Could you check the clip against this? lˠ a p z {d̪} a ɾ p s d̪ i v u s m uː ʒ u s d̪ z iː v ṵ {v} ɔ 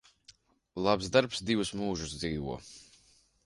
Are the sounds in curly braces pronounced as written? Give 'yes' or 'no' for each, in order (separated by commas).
yes, no